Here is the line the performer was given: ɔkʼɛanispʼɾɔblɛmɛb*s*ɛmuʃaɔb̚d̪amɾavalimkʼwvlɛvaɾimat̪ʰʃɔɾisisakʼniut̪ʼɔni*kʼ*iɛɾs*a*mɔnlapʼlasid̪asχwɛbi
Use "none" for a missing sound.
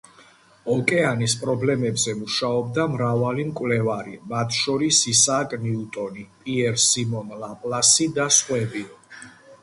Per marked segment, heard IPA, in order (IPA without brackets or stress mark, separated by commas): z, pʼ, i